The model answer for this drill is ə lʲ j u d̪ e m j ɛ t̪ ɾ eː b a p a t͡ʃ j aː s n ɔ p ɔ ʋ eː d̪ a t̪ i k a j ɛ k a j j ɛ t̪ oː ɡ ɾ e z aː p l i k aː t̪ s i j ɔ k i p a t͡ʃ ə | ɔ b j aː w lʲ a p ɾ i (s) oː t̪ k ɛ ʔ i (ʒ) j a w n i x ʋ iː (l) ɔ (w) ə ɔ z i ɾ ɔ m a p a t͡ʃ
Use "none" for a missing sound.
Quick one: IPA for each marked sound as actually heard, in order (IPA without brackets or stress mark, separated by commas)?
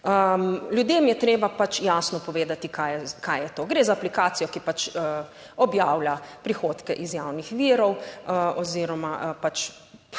x, z, ɾ, w